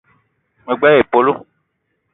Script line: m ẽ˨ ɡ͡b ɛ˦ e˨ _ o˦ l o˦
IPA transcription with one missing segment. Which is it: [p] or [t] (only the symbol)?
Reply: p